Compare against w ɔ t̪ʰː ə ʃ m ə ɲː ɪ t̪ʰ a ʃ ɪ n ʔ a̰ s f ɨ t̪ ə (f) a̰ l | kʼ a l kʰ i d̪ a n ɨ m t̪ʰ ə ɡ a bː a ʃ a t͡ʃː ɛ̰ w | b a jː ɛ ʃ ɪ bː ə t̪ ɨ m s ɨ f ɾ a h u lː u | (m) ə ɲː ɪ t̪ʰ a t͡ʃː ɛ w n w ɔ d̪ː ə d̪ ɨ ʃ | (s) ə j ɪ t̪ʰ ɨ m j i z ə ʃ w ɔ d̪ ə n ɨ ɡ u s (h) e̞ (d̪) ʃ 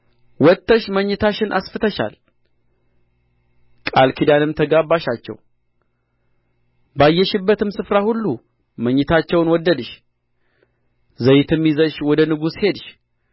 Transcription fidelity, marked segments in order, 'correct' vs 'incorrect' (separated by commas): incorrect, correct, incorrect, correct, correct